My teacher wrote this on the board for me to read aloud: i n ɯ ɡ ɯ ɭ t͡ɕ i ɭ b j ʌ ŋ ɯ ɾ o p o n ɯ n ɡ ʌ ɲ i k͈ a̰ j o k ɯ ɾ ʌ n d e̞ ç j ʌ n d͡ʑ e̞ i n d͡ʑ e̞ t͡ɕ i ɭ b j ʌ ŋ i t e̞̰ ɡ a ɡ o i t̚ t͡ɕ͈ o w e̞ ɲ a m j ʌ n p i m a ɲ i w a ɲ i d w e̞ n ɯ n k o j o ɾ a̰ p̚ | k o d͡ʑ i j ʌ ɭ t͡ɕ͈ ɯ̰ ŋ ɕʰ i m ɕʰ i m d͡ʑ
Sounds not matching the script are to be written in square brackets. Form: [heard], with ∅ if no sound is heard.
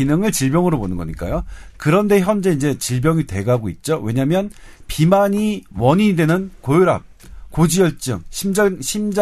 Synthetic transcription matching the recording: i n ɯ [ŋ] ɯ ɭ t͡ɕ i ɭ b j ʌ ŋ ɯ ɾ o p o n ɯ n ɡ ʌ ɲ i k͈ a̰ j o k ɯ ɾ ʌ n d e̞ ç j ʌ n d͡ʑ e̞ i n d͡ʑ e̞ t͡ɕ i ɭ b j ʌ ŋ i t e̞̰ ɡ a ɡ o i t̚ t͡ɕ͈ o w e̞ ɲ a m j ʌ n p i m a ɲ i w [ʌ] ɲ i d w e̞ n ɯ n k o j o ɾ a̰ p̚ | k o d͡ʑ i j ʌ ɭ t͡ɕ͈ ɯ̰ ŋ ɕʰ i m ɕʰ i m d͡ʑ